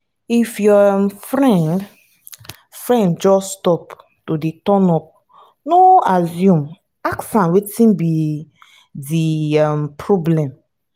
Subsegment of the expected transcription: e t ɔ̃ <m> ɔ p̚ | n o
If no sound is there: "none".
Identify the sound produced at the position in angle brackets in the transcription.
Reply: n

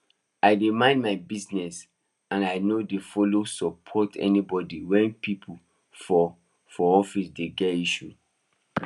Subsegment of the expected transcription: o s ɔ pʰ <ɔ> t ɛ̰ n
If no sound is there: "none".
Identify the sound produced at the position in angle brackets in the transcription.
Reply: ɔ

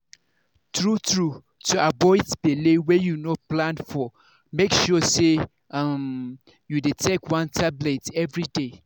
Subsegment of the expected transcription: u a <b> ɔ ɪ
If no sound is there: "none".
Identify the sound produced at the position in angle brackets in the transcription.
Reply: b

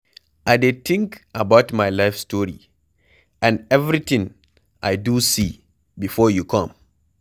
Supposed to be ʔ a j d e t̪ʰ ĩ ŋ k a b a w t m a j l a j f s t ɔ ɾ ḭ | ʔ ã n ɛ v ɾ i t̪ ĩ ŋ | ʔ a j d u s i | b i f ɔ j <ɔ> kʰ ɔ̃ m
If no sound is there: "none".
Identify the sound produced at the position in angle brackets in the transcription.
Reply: u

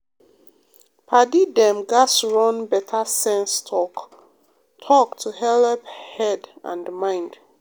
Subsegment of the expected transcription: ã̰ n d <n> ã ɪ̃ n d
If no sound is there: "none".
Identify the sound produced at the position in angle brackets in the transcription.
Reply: m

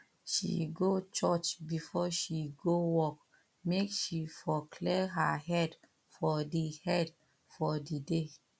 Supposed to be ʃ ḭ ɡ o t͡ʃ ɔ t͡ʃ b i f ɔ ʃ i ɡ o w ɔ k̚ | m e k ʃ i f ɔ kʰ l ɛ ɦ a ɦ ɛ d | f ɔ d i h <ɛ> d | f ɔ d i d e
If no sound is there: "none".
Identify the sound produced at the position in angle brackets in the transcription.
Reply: ɛ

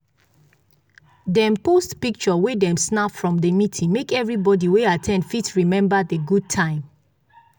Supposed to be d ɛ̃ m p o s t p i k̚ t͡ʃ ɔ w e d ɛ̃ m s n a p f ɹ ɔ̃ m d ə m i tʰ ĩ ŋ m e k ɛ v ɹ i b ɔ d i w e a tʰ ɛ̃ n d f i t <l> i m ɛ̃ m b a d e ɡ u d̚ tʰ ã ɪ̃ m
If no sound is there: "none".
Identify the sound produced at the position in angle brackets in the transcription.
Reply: ɹ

